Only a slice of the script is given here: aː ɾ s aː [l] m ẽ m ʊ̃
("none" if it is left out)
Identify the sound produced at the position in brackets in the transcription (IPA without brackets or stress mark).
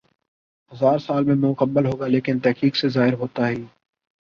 l